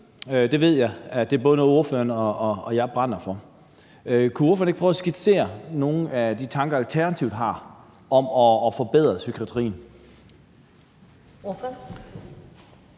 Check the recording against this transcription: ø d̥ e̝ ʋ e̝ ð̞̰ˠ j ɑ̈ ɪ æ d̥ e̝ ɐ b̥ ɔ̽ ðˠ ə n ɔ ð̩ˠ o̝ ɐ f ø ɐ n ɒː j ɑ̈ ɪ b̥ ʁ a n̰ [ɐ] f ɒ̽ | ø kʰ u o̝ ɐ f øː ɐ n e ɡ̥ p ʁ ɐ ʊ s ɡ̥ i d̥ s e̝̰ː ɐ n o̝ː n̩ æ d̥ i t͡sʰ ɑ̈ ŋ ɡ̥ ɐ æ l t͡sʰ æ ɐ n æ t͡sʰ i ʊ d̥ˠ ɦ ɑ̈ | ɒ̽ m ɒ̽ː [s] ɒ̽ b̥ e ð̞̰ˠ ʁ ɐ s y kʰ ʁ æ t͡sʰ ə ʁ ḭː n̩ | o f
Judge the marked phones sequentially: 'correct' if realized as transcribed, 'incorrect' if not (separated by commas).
correct, incorrect